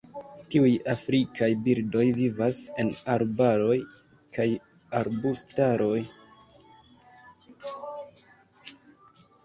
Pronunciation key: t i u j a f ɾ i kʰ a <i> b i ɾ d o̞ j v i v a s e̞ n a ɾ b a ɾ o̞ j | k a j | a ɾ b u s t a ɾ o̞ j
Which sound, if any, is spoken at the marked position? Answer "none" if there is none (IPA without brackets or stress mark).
j